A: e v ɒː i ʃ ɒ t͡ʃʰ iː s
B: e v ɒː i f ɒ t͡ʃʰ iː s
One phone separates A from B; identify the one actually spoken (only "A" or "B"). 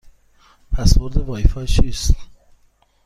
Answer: B